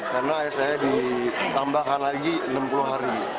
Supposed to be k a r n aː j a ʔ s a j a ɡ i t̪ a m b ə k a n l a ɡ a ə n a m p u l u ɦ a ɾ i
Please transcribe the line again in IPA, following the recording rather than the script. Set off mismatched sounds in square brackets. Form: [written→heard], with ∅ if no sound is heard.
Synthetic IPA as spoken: k a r n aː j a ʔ s a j a [ɡ→d] i t̪ a m b [ə→a] k a n l a ɡ [a→i] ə n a m p u l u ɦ a ɾ i